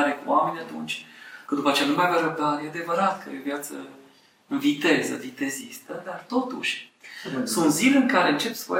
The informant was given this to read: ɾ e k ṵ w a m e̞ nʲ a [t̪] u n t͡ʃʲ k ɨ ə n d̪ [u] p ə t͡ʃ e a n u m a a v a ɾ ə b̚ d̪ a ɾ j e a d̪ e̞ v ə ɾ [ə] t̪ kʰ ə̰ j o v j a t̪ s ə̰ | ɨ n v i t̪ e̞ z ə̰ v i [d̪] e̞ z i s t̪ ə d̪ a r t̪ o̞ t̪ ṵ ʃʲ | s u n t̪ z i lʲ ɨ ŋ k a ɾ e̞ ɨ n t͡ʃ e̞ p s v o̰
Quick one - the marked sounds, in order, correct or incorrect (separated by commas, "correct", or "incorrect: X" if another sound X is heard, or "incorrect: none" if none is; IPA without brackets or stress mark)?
correct, correct, incorrect: a, incorrect: t̪